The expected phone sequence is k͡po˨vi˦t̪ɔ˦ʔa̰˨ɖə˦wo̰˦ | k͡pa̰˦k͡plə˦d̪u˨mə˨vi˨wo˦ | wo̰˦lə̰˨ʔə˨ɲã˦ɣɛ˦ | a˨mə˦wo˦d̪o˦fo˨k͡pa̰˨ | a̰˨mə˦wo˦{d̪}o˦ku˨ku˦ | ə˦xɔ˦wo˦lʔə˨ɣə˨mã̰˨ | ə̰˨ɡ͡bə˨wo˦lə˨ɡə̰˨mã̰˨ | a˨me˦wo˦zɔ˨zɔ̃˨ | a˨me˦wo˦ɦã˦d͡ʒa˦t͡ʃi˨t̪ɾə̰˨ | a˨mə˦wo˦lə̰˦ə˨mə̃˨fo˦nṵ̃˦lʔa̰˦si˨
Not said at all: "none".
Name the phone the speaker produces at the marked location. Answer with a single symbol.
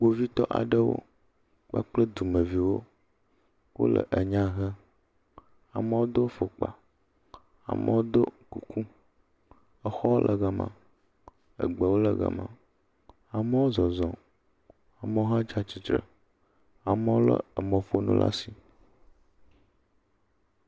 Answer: d̪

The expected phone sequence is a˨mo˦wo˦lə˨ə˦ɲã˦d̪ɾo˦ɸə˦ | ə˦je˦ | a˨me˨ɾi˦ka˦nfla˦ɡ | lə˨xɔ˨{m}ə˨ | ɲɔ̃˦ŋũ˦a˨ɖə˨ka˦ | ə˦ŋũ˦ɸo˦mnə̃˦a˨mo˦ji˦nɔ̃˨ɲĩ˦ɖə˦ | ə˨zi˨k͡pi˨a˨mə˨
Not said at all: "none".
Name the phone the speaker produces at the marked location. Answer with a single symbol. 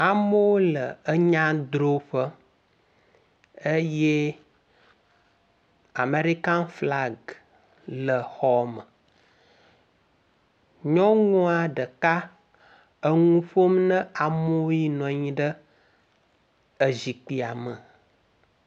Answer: m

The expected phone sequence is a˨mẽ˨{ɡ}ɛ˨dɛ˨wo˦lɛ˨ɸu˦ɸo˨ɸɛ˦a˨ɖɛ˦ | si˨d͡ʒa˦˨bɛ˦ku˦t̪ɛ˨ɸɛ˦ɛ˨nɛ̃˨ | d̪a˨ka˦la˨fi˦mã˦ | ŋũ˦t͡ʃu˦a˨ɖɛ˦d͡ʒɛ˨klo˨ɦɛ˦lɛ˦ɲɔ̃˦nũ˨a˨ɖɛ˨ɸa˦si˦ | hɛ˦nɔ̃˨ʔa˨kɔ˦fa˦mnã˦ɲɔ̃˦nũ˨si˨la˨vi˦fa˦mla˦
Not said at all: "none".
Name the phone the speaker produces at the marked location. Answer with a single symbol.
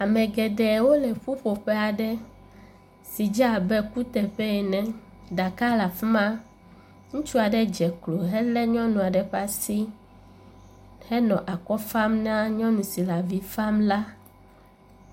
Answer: ɡ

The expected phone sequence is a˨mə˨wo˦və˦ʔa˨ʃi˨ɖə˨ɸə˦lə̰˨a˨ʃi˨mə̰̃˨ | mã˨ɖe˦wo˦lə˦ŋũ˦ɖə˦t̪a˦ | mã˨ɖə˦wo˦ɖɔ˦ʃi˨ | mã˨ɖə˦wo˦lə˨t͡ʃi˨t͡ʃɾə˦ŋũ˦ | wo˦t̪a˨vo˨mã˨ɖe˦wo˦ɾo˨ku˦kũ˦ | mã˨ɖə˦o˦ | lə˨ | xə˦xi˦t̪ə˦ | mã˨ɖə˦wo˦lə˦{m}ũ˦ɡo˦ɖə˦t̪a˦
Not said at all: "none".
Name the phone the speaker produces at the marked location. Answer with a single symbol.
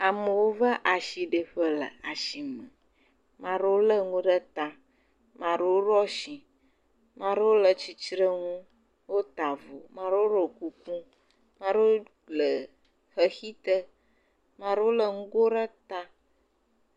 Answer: ŋ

